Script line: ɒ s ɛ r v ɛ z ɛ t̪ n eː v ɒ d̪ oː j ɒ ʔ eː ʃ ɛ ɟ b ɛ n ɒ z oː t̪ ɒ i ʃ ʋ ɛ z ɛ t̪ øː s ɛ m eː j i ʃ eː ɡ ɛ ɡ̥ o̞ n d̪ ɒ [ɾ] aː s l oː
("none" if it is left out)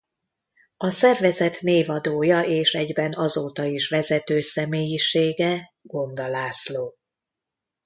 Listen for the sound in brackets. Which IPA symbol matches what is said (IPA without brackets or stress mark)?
l